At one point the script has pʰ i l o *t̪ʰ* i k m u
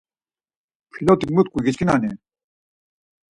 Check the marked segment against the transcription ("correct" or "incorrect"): incorrect